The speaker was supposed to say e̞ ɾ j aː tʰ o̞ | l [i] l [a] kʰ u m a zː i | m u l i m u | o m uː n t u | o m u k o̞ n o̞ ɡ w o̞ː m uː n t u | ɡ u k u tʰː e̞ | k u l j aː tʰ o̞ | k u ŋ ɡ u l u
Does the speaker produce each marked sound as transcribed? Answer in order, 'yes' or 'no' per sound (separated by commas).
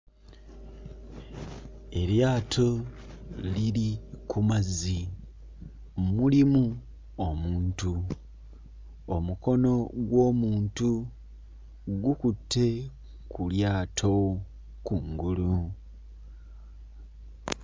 yes, no